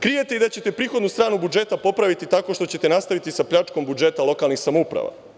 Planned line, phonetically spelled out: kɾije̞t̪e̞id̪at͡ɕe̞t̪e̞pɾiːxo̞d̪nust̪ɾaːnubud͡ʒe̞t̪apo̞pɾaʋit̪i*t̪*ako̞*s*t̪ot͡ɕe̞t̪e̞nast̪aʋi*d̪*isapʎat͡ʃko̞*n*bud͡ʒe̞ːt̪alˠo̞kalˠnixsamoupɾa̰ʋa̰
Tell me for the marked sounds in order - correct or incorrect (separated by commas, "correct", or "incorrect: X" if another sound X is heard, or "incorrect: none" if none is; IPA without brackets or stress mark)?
correct, incorrect: ʃ, incorrect: t̪, incorrect: m